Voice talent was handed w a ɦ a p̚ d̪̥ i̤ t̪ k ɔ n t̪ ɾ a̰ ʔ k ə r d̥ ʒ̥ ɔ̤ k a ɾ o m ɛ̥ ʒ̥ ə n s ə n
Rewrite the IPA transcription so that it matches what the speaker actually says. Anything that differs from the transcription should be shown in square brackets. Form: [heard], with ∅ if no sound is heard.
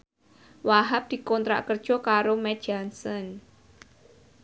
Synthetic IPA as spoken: w a ɦ a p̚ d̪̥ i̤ [∅] k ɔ n t̪ ɾ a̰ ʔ k ə r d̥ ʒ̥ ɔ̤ k a ɾ o m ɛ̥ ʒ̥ [a] n s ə n